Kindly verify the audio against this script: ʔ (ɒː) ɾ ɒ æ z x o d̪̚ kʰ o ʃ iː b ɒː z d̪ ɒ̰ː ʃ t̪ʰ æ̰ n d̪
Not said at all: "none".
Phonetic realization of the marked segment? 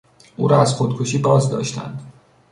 uː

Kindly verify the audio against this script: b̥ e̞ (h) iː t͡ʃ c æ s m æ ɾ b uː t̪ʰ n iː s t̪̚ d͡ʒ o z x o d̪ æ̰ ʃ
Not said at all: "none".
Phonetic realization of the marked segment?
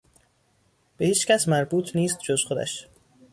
h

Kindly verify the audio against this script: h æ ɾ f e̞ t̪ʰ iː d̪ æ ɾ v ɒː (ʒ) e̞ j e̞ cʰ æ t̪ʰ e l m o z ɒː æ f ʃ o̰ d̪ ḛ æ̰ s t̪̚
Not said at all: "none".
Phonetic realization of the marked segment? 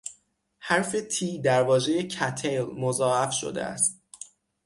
ʒ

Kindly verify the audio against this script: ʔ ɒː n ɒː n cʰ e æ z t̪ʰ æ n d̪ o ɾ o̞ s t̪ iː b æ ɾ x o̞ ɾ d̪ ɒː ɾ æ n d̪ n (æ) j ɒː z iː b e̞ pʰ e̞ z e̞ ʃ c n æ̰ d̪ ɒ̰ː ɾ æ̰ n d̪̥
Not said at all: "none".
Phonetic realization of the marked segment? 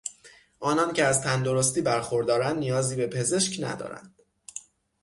i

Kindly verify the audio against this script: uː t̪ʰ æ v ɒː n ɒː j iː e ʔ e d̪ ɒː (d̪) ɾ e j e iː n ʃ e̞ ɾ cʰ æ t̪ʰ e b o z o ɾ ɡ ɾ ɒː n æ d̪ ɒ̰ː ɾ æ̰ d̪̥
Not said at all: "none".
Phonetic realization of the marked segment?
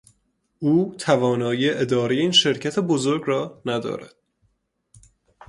none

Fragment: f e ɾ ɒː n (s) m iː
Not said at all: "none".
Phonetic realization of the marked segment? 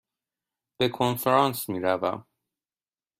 s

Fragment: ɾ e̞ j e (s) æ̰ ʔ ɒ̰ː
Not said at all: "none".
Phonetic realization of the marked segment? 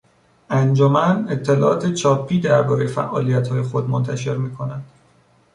f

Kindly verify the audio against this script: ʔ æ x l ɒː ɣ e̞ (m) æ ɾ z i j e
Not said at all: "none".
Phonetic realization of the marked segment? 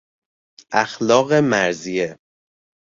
m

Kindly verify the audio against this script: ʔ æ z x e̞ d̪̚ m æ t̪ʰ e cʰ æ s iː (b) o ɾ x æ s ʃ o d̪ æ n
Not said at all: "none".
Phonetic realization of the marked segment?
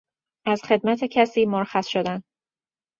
m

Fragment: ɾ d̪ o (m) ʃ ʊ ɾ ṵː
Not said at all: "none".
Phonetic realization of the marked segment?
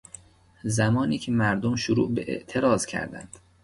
m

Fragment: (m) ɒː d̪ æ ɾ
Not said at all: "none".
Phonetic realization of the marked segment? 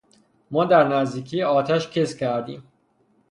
m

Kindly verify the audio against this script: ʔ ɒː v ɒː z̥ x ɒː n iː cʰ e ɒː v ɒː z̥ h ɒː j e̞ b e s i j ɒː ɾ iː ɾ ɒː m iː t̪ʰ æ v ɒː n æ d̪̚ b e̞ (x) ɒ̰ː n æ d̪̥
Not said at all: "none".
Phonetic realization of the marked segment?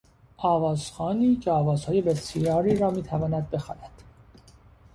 x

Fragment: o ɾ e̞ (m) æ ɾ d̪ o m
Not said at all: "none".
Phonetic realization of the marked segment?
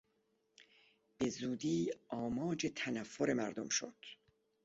m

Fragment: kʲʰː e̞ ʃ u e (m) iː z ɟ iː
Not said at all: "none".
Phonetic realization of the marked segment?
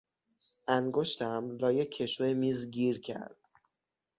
m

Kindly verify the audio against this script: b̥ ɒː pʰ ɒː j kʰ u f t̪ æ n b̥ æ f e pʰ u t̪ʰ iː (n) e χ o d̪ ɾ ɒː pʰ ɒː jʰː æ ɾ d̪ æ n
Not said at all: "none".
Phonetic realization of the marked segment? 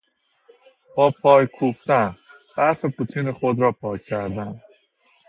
n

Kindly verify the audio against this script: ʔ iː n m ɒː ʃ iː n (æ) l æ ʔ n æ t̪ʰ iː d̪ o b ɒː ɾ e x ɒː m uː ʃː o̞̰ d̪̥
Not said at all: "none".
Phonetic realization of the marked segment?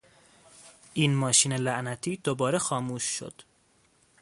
e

